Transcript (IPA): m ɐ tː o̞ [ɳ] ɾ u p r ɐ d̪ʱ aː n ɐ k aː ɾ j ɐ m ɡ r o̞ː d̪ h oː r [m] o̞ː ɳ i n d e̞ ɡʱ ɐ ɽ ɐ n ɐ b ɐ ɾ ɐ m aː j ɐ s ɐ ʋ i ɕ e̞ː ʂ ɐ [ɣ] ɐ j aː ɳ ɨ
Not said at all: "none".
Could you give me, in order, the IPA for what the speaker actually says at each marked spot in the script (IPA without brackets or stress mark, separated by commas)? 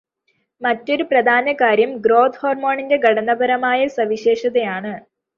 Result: none, m, ð